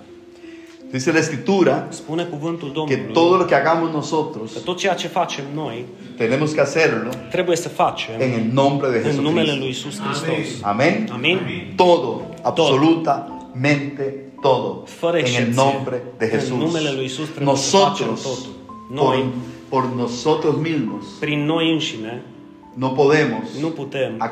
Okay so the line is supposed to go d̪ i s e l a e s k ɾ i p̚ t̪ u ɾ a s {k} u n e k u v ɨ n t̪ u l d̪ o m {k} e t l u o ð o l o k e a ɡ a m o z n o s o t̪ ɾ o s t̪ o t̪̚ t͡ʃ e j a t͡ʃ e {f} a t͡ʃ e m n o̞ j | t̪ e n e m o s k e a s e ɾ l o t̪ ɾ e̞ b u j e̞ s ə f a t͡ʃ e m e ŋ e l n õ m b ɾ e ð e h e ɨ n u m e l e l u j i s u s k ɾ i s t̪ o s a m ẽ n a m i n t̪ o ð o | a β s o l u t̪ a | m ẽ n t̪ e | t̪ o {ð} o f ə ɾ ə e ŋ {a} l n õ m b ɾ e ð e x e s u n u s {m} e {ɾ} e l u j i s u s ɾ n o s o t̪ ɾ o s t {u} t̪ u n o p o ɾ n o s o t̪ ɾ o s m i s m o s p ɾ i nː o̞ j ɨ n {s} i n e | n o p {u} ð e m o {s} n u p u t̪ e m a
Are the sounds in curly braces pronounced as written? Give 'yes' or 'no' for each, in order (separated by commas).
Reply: no, yes, yes, yes, no, yes, no, no, no, no, yes